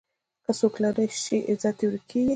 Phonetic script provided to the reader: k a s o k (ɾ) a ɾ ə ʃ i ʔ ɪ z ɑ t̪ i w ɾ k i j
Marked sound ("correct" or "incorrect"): incorrect